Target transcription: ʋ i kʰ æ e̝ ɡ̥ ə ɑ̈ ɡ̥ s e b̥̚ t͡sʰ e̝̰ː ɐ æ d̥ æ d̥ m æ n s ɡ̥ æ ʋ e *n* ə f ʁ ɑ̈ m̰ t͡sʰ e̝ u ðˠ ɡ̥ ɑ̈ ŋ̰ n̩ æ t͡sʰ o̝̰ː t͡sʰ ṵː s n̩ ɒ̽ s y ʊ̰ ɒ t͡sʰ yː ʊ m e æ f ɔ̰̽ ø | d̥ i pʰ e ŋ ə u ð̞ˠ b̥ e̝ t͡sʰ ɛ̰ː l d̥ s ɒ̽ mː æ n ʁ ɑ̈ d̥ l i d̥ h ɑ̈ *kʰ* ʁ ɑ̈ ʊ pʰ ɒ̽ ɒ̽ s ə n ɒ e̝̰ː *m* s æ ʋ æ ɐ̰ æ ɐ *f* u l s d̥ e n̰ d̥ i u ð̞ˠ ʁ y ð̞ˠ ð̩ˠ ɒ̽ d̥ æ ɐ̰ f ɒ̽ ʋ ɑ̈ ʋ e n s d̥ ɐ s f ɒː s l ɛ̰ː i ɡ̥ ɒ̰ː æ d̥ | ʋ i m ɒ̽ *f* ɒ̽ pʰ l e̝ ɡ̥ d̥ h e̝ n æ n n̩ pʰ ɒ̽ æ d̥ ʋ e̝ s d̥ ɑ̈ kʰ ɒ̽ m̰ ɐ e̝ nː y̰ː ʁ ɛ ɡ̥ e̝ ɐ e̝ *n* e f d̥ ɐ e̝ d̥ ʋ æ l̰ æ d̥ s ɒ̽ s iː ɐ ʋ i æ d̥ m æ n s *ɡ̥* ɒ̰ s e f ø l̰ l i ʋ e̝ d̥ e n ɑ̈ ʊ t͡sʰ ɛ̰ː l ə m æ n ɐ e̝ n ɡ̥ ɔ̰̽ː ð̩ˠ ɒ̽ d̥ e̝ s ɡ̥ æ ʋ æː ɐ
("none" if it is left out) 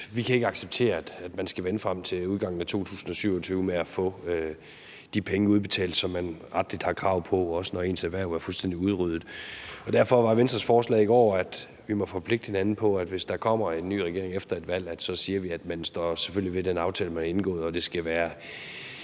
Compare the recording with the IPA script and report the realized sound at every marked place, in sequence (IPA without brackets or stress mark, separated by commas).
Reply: n, kʰ, n, f, f, ŋ, d̥